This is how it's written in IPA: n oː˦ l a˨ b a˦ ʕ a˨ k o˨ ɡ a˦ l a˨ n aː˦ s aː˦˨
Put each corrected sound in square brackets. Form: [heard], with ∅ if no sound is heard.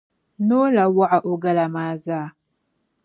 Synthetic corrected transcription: n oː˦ l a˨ [w] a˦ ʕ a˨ [ʔ] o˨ ɡ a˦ l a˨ [m] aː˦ [z] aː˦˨